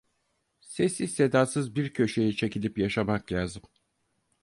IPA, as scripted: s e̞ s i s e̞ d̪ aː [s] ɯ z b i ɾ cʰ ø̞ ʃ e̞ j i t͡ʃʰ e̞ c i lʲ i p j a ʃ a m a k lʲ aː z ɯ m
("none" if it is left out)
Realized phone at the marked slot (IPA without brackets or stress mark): s